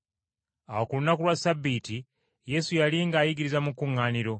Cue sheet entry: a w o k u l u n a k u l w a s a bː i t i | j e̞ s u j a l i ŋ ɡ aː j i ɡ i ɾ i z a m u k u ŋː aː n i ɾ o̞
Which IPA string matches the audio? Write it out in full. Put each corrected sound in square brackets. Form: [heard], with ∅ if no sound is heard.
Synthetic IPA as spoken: a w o k u l u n a k u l w a s a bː i t i | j e̞ s u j a l i ŋ ɡ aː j i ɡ i ɾ i z a m u k u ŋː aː n i ɾ o̞

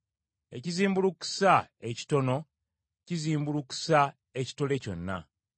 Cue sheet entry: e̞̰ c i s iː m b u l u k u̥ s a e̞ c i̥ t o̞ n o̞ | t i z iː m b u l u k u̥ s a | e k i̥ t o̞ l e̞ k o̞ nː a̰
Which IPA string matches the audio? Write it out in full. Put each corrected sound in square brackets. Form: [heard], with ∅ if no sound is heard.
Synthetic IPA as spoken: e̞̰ c i [z] iː m b u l u k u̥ s a e̞ c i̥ t o̞ n o̞ | [c] i z iː m b u l u k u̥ s a | e [c] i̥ t o̞ l e̞ [c] o̞ nː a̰

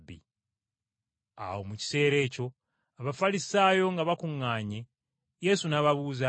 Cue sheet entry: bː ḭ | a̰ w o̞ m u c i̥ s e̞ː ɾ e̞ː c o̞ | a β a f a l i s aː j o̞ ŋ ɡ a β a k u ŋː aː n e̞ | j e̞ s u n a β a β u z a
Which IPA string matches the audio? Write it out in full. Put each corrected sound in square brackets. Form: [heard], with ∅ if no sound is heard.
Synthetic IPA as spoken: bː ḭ | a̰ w o̞ m u c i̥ s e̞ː ɾ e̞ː c o̞ | a β a f a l i s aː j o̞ ŋ ɡ a β a k u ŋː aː [ɲ] e̞ | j e̞ s u n a β a β u z a

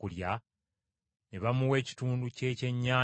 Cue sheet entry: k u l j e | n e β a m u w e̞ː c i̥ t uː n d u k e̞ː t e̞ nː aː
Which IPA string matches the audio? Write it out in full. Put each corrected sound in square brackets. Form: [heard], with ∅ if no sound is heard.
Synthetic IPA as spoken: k u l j [a] | n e β a m u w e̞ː c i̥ t uː n d u [c] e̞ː [c] e̞ [ɲː] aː

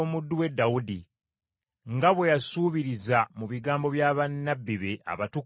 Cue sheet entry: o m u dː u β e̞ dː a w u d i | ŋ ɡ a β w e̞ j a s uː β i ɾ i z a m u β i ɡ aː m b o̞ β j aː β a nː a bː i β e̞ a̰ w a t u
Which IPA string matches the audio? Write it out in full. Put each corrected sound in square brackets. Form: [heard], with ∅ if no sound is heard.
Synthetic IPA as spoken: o m u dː u [w] e̞ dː a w u d i | ŋ ɡ a β w e̞ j a s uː β i ɾ i z a m u β i ɡ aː m b o̞ β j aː β a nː a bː i β e̞ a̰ [β] a t u

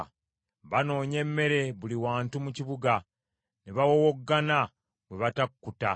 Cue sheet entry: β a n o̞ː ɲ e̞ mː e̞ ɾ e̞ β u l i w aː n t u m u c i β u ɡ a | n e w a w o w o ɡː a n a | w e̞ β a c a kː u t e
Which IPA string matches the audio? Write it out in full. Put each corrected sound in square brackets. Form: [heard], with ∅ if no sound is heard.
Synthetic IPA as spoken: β a n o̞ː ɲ e̞ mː e̞ ɾ e̞ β u l i w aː n t u m u c i β u ɡ a | n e [β] a w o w o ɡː a n a | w e̞ β a [t] a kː u t [a]

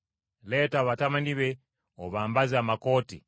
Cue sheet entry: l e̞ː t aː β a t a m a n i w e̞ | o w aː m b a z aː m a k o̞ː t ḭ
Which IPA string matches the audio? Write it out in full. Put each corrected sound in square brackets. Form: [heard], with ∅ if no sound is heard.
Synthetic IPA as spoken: l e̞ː t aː β a t a m a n i [β] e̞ | o [β] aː m b a z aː m a k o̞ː t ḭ

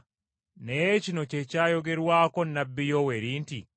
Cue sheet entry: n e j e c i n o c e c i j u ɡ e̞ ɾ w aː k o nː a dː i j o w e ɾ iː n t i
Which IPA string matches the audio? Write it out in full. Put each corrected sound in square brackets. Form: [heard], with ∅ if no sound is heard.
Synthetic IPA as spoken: n e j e c i n o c e c [a] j [o] ɡ e̞ ɾ w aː k o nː a [bː] i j o w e ɾ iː n t i

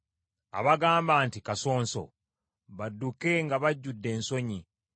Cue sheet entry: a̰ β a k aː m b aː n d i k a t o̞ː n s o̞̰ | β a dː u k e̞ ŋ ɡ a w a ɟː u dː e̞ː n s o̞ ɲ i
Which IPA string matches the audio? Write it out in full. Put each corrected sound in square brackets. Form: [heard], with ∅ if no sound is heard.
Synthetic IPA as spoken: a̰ β a [ɡ] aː m b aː n [t] i k a [s] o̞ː n s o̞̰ | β a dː u k e̞ ŋ ɡ a [β] a ɟː u dː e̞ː n s o̞ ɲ i

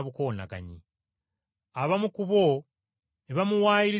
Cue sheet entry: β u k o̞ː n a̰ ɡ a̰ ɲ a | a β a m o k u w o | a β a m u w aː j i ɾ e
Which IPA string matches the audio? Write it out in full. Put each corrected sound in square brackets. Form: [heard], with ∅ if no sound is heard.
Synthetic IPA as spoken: β u k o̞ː n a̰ ɡ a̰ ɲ [i] | a β a m [u] k u [β] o | [e] β a m u w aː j i ɾ [i]

